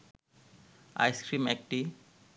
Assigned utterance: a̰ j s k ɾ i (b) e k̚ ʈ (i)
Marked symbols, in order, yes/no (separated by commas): no, yes